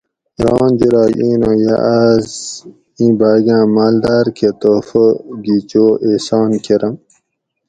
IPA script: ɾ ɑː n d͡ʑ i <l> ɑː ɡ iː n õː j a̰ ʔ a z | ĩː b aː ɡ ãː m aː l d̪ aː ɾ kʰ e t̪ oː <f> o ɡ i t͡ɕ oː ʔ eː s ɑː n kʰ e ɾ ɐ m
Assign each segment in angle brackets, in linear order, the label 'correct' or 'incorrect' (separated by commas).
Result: incorrect, correct